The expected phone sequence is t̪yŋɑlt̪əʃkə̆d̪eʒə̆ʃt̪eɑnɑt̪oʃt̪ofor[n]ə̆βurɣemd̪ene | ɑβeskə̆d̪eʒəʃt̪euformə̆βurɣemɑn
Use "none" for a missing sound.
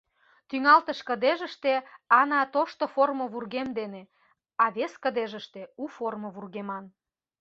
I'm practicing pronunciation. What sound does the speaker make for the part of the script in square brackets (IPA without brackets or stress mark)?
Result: m